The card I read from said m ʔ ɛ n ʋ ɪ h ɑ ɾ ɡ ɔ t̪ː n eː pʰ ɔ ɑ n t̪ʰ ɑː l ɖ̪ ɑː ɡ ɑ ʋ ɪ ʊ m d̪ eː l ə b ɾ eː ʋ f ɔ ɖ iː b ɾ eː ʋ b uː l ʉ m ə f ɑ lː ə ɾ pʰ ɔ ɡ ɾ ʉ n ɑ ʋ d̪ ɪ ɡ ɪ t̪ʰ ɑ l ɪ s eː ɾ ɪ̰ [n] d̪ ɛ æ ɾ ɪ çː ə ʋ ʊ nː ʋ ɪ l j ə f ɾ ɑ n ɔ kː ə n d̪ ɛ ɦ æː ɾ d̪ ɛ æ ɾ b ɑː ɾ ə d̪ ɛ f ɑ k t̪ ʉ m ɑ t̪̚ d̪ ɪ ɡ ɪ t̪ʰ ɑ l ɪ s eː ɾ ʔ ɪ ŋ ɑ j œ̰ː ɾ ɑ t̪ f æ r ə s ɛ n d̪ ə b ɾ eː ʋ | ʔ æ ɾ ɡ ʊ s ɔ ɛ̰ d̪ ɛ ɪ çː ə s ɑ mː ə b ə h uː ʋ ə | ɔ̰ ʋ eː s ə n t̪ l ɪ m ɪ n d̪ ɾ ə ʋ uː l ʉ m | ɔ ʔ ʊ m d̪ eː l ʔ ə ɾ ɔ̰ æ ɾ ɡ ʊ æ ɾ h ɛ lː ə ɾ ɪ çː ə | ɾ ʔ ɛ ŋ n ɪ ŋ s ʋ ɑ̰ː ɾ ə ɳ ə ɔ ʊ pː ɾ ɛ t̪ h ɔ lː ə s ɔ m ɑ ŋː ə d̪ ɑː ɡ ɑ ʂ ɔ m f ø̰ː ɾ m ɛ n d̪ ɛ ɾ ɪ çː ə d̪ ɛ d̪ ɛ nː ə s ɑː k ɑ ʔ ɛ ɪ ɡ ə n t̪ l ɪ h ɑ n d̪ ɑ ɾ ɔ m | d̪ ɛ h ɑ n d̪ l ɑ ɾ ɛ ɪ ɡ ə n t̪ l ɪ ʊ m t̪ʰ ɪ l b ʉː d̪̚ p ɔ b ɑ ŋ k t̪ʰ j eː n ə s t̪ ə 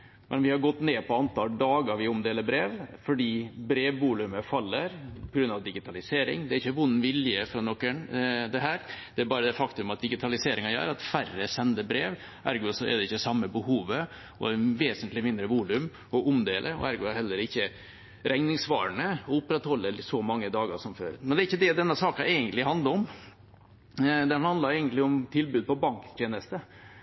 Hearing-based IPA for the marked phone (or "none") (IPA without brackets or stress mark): ŋ